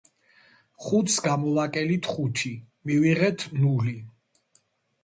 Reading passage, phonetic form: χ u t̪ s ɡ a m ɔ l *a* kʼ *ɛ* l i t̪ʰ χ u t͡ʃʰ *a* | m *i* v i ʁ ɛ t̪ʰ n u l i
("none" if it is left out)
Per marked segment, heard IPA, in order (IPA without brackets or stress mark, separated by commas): a, ɛ, i, i